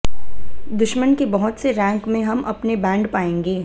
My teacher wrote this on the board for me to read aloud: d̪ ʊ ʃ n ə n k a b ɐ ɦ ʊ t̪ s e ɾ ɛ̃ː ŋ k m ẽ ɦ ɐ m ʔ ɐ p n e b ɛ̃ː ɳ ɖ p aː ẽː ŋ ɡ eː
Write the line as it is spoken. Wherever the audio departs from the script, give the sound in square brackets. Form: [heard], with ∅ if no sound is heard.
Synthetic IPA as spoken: d̪ ʊ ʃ [m] ə n k [e] b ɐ ɦ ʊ t̪ s e ɾ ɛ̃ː ŋ k m ẽ ɦ ɐ m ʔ ɐ p n e b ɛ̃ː ɳ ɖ p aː ẽː ŋ ɡ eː